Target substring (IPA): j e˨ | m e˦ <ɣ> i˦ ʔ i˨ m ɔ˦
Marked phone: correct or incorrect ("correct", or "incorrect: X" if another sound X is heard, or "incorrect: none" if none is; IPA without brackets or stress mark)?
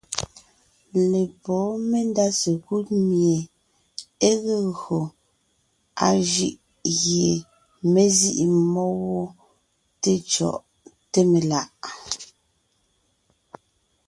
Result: incorrect: z